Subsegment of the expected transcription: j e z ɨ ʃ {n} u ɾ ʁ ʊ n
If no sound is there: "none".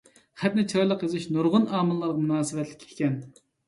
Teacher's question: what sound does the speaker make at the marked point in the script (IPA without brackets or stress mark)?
n